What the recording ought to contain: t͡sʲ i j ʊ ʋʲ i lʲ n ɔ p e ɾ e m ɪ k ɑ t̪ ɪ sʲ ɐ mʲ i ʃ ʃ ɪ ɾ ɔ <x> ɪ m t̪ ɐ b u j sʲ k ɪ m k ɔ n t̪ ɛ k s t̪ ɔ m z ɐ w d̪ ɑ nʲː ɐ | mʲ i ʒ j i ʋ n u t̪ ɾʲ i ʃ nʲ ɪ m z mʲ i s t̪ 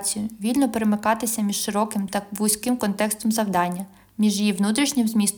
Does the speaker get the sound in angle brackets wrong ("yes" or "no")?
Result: yes